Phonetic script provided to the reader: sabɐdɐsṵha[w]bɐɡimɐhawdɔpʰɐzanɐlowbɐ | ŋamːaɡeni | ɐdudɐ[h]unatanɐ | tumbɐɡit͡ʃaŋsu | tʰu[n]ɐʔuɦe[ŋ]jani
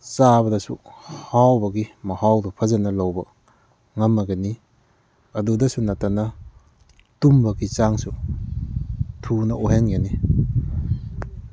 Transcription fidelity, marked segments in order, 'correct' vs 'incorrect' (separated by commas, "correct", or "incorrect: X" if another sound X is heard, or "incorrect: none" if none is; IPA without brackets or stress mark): correct, incorrect: s, correct, correct